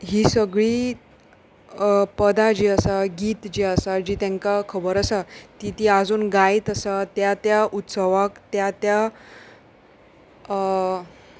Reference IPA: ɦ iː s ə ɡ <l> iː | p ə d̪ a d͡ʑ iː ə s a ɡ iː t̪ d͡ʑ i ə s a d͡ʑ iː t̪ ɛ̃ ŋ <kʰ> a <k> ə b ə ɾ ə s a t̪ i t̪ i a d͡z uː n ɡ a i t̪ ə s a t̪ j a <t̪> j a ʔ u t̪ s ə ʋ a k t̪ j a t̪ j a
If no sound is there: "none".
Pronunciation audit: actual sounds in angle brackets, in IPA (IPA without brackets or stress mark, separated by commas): ɭ, k, kʰ, t̪